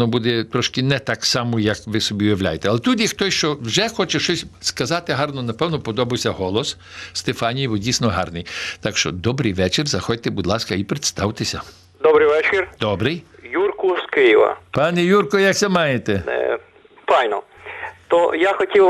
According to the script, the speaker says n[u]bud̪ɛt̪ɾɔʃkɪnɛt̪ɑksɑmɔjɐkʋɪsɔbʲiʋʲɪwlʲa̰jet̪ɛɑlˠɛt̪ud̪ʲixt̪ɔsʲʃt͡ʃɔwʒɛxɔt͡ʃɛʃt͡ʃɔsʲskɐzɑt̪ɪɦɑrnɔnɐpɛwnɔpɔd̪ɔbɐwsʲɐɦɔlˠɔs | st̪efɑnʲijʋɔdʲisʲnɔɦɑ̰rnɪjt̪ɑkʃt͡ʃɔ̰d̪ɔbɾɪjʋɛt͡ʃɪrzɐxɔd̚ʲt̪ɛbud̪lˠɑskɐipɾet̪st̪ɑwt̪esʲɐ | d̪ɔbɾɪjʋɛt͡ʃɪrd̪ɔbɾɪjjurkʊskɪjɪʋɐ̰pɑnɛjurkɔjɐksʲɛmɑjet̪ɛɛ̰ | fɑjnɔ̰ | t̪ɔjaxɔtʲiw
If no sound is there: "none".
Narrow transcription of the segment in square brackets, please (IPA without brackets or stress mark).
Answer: ɔ